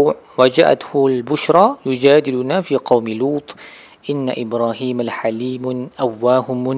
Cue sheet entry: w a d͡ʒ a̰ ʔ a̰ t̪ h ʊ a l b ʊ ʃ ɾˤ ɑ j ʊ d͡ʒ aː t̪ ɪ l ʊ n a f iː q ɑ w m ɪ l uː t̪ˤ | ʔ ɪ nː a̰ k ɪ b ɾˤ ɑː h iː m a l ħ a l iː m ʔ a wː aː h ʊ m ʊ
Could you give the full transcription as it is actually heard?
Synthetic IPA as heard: w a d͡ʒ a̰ ʔ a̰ t̪ h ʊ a l b ʊ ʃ ɾˤ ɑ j ʊ d͡ʒ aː d̪ ɪ l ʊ n a f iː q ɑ w m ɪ l uː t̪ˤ | ʔ ɪ nː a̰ ʔ ɪ b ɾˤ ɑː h iː m a l ħ a l iː m ʔ a wː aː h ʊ m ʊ